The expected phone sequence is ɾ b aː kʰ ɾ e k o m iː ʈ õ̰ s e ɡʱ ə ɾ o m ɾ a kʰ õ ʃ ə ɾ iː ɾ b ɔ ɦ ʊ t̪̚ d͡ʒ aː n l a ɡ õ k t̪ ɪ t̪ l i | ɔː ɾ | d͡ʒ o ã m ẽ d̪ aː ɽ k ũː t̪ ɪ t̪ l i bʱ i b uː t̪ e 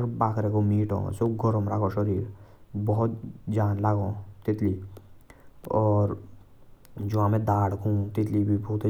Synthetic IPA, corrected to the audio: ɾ b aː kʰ ɾ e k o m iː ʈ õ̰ s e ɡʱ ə ɾ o m ɾ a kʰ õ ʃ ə ɾ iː ɾ b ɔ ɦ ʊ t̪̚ d͡ʒ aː n l a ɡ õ t̪ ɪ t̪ l i | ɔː ɾ | d͡ʒ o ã m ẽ d̪ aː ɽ k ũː t̪ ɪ t̪ l i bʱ i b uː t̪ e